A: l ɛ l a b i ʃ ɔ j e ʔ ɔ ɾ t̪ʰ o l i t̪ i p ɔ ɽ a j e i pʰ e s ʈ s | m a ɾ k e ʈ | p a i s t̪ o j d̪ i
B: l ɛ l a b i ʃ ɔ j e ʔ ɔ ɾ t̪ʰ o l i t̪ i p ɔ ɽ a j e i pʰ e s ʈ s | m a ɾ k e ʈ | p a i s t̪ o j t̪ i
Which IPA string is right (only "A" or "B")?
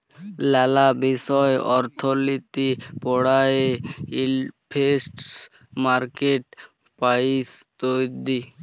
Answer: A